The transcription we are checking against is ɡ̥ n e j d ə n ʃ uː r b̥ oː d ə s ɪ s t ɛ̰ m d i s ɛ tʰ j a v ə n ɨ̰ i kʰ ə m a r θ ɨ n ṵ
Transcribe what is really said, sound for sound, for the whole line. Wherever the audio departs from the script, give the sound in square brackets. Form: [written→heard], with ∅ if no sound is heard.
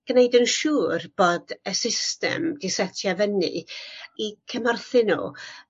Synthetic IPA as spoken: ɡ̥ n e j d ə n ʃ uː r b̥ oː d ə s ɪ s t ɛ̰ m d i s ɛ tʰ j a v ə n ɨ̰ i kʰ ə m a r θ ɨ n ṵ